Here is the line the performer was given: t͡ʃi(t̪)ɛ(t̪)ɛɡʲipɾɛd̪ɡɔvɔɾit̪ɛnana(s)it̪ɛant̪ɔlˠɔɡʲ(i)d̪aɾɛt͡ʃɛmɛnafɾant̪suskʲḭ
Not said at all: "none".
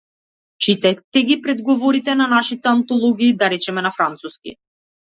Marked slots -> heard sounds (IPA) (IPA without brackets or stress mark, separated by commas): t̪, t̪, ʃ, iː